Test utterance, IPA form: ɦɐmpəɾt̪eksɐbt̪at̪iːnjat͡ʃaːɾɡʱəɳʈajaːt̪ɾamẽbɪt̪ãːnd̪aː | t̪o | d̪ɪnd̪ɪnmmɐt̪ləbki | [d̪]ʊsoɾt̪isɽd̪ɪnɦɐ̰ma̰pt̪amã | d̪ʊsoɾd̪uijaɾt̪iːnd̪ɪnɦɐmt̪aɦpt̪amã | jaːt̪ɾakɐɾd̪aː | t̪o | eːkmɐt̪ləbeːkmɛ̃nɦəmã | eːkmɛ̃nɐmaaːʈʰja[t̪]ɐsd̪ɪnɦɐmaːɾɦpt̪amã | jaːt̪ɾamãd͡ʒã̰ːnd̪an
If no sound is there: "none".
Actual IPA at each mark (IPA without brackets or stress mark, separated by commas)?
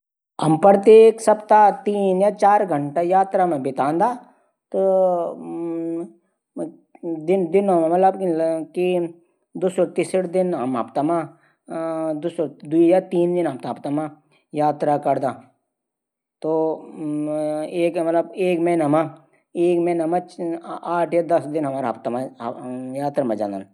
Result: d̪, d̪